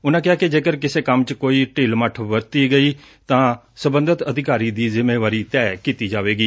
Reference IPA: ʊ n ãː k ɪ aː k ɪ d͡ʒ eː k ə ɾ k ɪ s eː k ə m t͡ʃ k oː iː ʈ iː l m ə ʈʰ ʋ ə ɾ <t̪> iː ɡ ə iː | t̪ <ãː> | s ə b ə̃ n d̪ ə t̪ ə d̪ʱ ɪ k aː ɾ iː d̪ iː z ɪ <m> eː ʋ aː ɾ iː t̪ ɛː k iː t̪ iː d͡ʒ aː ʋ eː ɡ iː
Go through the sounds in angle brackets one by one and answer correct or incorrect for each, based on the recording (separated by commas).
correct, correct, correct